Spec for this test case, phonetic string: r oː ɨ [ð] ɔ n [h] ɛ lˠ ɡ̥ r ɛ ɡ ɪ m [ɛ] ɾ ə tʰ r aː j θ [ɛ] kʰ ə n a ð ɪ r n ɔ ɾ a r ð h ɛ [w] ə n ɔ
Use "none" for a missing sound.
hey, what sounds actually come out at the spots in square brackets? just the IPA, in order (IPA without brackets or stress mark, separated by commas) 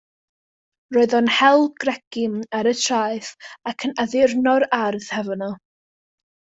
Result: ð, h, a, a, v